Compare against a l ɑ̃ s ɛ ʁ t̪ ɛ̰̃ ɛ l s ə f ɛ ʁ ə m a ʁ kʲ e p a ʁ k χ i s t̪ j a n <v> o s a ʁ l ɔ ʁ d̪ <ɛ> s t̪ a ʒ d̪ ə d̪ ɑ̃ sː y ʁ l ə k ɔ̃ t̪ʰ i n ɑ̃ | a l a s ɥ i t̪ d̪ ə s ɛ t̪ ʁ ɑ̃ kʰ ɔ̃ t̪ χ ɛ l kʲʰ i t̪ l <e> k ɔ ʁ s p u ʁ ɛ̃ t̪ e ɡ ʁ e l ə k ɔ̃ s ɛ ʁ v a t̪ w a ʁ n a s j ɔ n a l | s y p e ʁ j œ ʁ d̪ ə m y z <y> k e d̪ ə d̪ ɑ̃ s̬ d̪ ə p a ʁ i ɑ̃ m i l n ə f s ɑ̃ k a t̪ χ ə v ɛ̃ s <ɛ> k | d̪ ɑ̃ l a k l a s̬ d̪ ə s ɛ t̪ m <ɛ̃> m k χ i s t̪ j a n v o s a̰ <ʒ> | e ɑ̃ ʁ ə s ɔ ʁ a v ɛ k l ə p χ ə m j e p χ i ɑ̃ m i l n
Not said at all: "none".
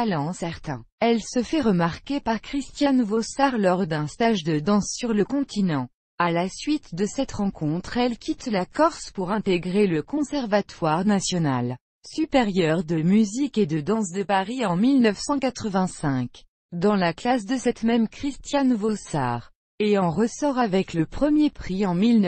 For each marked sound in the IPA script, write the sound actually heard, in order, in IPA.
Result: v, ɛ̃, a, i, ɛ̃, ɛ, ʁ

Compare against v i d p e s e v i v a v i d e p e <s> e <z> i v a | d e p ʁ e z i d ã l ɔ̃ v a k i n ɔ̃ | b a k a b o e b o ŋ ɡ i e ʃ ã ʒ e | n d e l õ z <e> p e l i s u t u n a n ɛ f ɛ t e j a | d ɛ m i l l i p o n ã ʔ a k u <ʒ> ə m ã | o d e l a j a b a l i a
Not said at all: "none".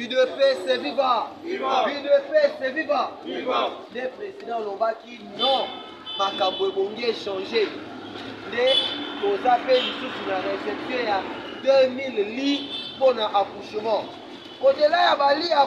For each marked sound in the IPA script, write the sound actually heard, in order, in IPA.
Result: s, v, a, ʃ

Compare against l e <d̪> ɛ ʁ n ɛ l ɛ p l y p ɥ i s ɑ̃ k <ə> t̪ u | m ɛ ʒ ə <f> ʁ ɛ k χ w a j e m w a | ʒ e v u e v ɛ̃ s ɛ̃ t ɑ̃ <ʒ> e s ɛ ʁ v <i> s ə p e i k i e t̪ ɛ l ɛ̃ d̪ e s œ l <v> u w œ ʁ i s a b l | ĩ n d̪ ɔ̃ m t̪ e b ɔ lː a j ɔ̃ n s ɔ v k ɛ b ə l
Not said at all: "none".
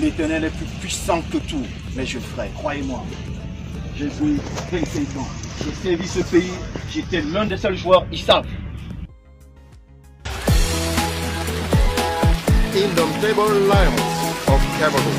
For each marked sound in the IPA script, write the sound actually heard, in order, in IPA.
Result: t̪, ə, f, ʒ, i, ʒ

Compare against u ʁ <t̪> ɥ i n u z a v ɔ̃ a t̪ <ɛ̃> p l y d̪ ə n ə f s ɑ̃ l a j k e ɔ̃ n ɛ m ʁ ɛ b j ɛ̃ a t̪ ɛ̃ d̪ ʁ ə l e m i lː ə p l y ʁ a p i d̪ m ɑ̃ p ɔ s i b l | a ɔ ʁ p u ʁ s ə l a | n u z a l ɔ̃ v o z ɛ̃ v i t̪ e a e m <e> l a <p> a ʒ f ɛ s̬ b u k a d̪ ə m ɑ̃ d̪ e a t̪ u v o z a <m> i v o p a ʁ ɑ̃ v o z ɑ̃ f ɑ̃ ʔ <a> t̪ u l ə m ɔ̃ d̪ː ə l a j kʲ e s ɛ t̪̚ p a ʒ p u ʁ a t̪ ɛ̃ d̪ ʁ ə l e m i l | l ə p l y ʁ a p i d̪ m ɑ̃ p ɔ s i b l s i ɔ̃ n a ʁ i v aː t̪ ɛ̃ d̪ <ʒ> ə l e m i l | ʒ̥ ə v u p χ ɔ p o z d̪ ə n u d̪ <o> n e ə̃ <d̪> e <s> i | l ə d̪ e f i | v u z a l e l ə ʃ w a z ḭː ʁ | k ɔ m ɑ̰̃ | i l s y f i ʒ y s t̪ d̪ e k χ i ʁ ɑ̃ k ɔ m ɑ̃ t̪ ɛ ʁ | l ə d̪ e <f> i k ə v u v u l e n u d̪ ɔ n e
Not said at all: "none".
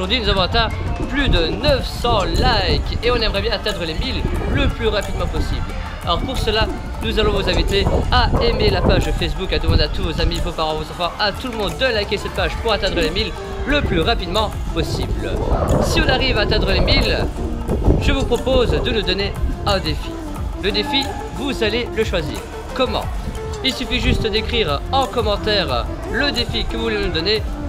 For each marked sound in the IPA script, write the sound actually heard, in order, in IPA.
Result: d̪, ɛ̃, e, p, m, a, ʁ, ɔ, d̪, f, f

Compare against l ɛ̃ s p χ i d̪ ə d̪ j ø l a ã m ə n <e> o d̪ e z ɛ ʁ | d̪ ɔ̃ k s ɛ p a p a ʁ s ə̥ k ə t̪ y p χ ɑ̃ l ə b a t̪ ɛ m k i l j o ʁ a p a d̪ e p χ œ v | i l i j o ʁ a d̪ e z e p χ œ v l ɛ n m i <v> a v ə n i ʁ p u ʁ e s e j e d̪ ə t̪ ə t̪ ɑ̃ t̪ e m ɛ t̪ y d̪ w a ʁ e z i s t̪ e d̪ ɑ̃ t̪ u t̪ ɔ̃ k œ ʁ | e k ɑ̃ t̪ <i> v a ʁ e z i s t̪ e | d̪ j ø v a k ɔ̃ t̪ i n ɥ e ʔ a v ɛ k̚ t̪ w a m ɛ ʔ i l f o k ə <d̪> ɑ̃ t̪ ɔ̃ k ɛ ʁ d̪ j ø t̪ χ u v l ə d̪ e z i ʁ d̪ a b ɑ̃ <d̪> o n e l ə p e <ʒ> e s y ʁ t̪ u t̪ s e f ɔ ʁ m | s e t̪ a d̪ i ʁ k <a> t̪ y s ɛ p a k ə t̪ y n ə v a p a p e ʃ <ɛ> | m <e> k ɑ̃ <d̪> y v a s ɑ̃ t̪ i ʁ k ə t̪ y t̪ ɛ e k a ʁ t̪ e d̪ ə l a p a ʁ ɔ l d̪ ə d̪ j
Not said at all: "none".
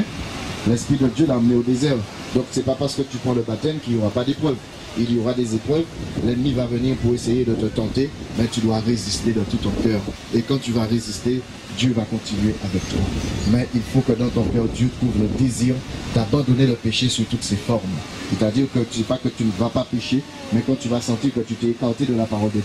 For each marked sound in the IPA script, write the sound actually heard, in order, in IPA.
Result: e, v, y, d̪, d̪, ʃ, ə, e, ɛ, t̪

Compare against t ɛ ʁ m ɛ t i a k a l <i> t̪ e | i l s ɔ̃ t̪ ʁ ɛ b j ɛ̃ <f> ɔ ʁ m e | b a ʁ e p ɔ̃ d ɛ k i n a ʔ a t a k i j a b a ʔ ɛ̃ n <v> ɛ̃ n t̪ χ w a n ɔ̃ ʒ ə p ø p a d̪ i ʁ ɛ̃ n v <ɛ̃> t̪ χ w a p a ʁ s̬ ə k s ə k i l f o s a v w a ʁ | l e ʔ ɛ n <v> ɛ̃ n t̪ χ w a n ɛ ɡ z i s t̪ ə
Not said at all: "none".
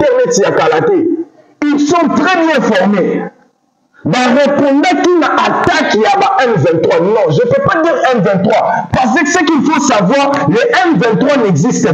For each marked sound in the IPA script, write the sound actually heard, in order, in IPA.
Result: a, f, v, ɛ̃, v

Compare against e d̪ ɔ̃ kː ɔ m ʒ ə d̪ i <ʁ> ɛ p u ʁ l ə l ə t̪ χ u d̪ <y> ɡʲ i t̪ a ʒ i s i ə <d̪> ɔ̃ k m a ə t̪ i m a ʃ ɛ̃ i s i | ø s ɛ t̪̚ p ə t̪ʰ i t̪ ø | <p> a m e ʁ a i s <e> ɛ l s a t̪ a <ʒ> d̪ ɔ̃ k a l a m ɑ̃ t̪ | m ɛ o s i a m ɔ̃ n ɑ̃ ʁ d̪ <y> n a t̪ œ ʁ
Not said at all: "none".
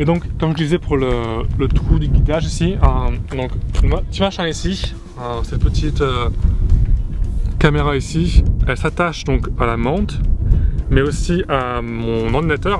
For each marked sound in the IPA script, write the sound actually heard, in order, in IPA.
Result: z, y, d̪, k, i, ʃ, i

